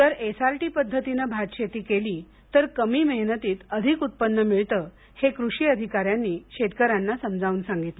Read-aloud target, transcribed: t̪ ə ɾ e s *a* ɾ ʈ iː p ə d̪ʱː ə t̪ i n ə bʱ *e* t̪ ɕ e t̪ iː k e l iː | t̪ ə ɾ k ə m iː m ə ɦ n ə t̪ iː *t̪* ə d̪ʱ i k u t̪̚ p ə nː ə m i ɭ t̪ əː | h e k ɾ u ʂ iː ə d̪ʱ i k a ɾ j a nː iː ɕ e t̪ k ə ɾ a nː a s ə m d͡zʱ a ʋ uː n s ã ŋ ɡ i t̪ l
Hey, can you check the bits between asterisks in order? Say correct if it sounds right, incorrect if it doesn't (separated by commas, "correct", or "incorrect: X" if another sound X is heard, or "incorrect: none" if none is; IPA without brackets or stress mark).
correct, incorrect: a, correct